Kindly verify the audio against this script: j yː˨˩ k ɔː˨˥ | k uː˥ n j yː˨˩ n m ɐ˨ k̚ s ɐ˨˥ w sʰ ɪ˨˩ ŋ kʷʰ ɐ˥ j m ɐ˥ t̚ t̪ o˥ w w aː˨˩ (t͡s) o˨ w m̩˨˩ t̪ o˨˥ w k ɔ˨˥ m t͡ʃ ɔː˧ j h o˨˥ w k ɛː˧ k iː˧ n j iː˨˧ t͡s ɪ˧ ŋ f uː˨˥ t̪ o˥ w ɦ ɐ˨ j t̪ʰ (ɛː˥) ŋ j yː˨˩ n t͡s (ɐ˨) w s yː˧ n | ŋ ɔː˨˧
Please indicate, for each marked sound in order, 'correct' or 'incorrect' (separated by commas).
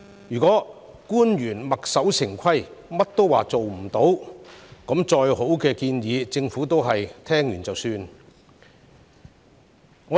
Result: correct, correct, correct